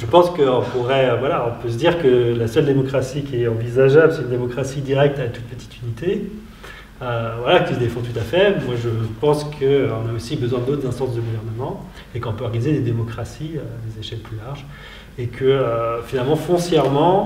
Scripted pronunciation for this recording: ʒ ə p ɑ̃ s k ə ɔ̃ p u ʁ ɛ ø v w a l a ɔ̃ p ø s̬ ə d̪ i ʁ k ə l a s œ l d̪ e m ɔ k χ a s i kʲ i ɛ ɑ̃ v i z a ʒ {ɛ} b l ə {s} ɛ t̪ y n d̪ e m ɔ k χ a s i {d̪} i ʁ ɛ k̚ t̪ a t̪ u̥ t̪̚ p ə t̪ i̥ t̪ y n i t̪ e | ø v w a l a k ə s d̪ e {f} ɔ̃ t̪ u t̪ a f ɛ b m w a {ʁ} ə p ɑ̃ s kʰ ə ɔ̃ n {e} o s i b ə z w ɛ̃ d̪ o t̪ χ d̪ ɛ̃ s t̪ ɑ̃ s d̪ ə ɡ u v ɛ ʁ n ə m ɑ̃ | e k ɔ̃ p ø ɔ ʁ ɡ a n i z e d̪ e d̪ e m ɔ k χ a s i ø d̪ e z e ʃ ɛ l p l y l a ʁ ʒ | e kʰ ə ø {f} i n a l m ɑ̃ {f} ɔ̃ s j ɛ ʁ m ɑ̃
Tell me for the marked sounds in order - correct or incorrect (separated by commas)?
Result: incorrect, correct, correct, correct, incorrect, incorrect, correct, correct